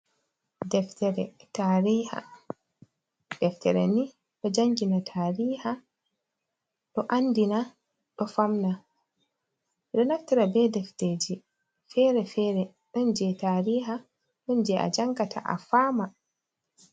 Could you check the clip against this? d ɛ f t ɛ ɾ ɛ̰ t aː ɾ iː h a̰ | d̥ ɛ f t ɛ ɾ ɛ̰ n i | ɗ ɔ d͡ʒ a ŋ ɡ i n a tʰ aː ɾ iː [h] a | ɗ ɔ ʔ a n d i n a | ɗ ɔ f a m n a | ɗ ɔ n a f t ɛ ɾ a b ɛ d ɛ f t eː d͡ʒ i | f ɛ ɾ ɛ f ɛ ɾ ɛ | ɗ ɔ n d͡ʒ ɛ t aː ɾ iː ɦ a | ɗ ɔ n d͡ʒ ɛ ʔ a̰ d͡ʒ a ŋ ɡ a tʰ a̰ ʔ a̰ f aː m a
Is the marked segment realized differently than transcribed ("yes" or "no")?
no